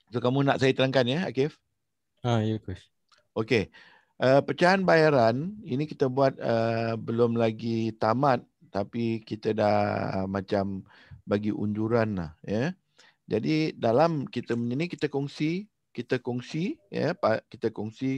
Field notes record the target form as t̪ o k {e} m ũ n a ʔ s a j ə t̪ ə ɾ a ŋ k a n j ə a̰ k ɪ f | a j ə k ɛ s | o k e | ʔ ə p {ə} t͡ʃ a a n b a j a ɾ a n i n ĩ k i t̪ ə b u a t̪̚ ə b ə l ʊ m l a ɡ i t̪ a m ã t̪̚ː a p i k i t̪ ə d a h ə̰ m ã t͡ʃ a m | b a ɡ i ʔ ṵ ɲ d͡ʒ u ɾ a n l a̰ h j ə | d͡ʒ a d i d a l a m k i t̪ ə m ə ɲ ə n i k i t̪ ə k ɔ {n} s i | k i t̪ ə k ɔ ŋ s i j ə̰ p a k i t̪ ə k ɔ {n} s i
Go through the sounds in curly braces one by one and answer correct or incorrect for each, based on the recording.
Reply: incorrect: a, correct, incorrect: ŋ, incorrect: ŋ

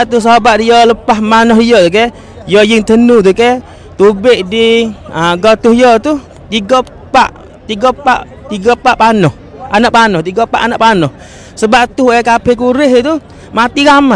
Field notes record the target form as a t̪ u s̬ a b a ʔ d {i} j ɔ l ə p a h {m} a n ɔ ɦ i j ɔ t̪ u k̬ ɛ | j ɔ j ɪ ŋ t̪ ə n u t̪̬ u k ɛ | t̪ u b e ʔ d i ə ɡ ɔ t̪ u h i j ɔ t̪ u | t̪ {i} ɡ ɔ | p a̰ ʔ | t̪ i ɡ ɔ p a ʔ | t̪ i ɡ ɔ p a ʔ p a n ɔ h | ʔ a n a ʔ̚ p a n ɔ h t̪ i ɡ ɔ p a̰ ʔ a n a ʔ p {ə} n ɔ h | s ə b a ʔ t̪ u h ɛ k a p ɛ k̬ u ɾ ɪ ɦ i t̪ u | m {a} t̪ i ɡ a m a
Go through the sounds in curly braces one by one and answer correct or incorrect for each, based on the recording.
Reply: correct, correct, correct, incorrect: a, correct

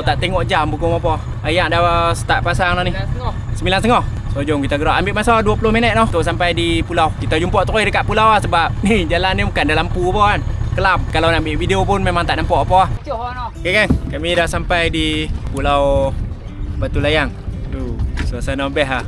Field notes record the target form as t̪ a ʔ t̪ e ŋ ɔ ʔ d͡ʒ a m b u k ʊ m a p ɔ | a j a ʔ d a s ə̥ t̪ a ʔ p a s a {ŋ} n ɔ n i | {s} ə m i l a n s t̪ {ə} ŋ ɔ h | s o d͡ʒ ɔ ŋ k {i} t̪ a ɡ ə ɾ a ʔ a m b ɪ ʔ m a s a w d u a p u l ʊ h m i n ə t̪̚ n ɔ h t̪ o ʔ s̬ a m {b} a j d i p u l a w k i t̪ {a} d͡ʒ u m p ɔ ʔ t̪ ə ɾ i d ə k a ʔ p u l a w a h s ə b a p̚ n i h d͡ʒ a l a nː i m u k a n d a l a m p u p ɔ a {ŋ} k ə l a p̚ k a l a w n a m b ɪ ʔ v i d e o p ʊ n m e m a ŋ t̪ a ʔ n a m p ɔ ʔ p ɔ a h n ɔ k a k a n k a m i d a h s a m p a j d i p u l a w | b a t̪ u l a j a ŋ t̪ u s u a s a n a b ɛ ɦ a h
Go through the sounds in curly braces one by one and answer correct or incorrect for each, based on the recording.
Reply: correct, correct, correct, correct, incorrect: p, correct, incorrect: n

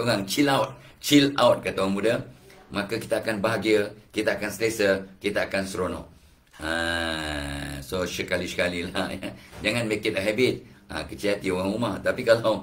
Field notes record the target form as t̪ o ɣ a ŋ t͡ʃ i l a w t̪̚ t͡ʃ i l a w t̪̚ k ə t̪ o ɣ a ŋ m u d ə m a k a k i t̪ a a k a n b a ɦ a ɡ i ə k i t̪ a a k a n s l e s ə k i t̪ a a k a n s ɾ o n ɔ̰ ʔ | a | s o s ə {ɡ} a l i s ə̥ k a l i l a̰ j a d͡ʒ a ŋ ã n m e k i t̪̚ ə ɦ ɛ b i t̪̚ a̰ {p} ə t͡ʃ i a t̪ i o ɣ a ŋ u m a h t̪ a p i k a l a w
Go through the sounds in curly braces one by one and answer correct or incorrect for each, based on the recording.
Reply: incorrect: k, incorrect: k

